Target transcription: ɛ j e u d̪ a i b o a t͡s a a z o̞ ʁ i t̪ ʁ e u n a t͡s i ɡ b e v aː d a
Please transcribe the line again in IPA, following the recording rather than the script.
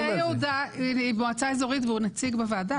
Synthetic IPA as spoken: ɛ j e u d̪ a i b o a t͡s a e z o̞ ʁ i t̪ v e u n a t͡s i ɡ b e v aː d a